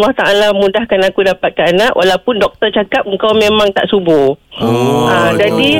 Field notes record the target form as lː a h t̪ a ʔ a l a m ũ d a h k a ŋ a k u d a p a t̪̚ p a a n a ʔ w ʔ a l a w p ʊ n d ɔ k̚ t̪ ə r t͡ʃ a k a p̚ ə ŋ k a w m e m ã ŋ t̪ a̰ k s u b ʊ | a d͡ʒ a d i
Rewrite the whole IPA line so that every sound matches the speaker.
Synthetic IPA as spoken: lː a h t̪ a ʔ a l a m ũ d a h k a n a k u d a p a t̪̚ k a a n a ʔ w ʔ a l a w p ʊ n d ɔ k̚ t̪ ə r t͡ʃ a k a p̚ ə ŋ k a w m e m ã ŋ t̪ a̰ ʔ s u b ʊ | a d͡ʒ a d i